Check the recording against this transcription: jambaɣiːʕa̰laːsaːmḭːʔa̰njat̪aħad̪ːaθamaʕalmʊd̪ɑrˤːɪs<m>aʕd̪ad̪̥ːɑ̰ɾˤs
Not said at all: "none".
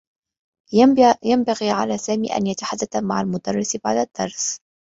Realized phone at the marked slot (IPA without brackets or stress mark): b